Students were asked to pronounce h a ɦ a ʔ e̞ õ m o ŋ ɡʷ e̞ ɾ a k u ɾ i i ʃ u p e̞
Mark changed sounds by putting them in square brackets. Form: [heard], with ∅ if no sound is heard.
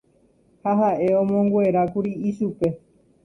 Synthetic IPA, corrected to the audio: h a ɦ a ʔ e̞ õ m [õ] ŋ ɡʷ e̞ ɾ a k u ɾ i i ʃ u p e̞